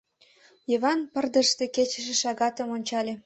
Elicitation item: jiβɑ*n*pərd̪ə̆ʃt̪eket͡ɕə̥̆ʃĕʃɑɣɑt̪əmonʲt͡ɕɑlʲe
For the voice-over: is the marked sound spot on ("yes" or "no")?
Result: yes